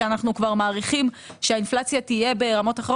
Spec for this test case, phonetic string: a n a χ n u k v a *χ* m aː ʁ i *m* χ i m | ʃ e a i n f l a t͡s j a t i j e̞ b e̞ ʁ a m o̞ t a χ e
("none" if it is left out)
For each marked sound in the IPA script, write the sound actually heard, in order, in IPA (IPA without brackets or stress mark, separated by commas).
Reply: ʁ, none